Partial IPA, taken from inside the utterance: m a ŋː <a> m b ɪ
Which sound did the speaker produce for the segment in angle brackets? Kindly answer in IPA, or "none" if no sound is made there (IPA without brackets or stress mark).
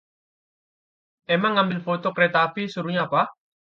a